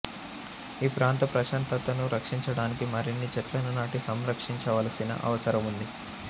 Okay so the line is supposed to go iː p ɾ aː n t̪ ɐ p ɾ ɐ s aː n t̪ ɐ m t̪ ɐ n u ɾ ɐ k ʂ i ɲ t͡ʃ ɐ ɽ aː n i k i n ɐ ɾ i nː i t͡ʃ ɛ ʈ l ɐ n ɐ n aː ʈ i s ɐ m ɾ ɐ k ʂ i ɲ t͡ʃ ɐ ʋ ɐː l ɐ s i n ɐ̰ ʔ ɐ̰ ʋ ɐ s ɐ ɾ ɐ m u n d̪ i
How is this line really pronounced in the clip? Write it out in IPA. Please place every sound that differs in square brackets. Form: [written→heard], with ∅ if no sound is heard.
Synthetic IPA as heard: iː p ɾ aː n t̪ ɐ p ɾ ɐ [s→ʃ] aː n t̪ ɐ [m→∅] t̪ ɐ n u ɾ ɐ k ʂ i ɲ t͡ʃ ɐ ɽ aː n i k i [n→m] ɐ ɾ i nː i t͡ʃ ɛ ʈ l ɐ n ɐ n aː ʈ i s ɐ m ɾ ɐ k ʂ i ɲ t͡ʃ ɐ ʋ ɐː l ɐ s i n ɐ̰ ʔ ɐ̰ ʋ ɐ s ɐ ɾ ɐ m u n d̪ i